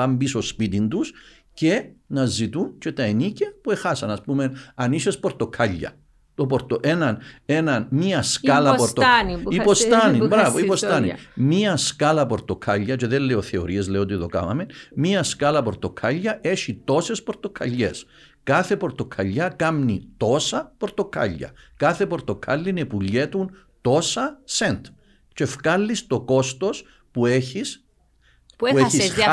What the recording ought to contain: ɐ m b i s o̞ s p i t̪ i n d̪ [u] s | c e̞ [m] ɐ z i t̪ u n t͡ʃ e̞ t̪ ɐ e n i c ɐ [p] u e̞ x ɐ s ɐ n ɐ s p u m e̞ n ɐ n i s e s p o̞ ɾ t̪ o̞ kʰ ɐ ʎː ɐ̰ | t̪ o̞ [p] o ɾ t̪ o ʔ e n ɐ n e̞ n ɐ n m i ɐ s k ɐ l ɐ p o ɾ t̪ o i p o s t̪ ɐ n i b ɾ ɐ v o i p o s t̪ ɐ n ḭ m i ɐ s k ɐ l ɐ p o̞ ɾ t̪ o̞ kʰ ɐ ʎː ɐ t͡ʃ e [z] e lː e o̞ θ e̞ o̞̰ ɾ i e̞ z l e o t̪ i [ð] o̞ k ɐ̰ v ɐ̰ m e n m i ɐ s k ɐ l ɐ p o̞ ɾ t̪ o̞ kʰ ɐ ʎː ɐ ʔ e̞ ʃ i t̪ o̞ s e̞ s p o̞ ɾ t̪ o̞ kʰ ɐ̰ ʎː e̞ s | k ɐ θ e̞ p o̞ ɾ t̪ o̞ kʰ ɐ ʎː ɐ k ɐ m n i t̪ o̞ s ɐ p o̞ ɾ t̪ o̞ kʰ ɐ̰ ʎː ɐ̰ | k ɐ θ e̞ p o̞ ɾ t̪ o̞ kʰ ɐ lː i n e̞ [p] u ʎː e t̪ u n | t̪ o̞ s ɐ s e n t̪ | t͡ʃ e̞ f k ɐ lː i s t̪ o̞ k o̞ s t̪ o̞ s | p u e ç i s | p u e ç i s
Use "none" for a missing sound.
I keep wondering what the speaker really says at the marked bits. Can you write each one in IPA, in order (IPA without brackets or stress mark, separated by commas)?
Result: u, n, p, p, ð, ð, p